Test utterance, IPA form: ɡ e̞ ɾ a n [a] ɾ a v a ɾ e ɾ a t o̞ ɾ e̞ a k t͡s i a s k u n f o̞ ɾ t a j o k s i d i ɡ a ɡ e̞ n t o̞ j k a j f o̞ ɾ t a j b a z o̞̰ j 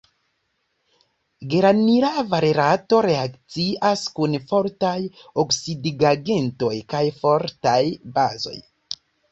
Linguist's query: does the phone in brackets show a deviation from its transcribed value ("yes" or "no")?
yes